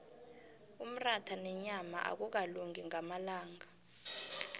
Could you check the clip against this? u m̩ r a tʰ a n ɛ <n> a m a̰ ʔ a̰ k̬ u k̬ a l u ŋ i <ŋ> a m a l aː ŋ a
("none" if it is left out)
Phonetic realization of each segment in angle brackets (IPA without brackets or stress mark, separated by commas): ɲ, ŋ